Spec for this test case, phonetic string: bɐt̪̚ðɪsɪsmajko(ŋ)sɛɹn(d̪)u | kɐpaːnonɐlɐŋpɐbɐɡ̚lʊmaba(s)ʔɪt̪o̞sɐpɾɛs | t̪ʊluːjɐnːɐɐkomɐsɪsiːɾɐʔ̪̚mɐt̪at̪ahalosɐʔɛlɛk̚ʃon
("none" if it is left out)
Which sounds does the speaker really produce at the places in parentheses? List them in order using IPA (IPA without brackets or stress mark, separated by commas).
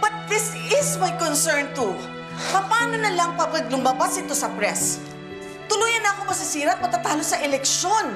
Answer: n, t̪, s